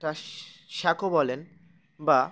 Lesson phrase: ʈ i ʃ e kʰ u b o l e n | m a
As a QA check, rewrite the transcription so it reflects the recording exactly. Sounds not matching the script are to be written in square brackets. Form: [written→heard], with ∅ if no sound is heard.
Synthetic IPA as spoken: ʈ [i→a] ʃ [e→a] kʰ [u→o] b [o→ɔ] l e n | [m→b] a